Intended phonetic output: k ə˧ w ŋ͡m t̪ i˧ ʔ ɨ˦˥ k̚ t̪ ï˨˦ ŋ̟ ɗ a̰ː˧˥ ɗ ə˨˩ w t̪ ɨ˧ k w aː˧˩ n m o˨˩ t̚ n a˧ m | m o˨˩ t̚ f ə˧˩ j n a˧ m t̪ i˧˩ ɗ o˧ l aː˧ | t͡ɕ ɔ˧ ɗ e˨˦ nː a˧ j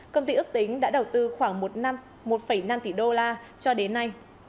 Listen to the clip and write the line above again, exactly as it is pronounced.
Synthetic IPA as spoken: k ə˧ w ŋ͡m t̪ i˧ ʔ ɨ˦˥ k̚ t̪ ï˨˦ ŋ̟ ɗ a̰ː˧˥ ɗ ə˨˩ w t̪ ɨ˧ x w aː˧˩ ŋ m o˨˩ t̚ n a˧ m | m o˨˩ t̚ f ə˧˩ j n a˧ m t̪ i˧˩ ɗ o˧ l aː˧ | t͡ɕ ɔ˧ ɗ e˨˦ nː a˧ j